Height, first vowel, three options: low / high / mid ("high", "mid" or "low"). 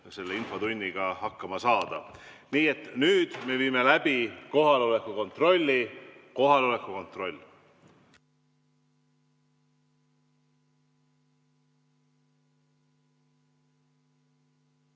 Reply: mid